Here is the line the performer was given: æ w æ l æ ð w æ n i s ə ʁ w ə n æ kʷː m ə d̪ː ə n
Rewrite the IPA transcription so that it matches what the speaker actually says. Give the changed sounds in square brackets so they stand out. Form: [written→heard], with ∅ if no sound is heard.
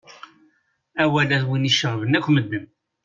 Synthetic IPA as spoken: æ w æ l æ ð w [æ→i] n i [s→ʃ] ə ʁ [w→v] ə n æ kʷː m ə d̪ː ə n